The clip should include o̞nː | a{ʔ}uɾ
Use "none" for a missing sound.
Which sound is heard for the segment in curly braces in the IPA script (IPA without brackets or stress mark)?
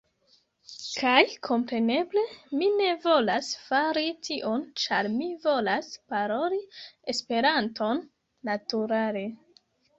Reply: t